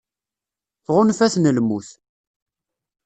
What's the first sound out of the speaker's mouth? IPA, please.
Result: θ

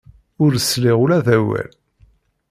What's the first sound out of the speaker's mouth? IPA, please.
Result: ʊ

